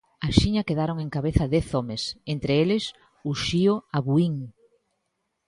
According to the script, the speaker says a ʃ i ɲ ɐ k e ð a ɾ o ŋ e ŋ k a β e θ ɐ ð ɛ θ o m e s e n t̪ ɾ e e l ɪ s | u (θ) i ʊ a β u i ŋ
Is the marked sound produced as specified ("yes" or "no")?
no